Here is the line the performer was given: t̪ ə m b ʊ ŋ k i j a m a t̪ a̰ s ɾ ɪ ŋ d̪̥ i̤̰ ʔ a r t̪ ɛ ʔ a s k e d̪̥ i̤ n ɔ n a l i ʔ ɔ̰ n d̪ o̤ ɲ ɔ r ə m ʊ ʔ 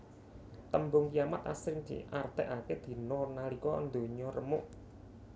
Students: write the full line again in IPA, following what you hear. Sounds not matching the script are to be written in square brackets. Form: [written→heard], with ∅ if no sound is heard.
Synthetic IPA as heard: t̪ ə m b ʊ ŋ k i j a m a t̪ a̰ s ɾ ɪ ŋ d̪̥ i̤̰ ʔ a r t̪ ɛ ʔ a [s→∅] k e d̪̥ i̤ n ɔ n a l i [ʔ→k] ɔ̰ n d̪ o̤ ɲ ɔ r ə m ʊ ʔ